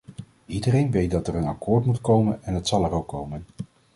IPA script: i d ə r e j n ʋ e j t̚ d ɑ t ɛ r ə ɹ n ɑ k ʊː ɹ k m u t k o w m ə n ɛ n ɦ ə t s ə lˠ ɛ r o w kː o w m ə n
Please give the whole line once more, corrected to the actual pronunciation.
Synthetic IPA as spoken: i d ə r e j n ʋ e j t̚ d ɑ t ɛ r ə n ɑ k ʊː ɹ t m u t k o w m ə n ɛ n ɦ ə t s ɑ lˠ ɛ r o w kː o w m ə n